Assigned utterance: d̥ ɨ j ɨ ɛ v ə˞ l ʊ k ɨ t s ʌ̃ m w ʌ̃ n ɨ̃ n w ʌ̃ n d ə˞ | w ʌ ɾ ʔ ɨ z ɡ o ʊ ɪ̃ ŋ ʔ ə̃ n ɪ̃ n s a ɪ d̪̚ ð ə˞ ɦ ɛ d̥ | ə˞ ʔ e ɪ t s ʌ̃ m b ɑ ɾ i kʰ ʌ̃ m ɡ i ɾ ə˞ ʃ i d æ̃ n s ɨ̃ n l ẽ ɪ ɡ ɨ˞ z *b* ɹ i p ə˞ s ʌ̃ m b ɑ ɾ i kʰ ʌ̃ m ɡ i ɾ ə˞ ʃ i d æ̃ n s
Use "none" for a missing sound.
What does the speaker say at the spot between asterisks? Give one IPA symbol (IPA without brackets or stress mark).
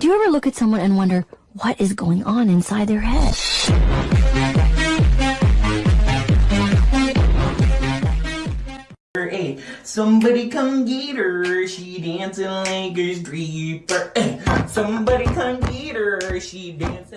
d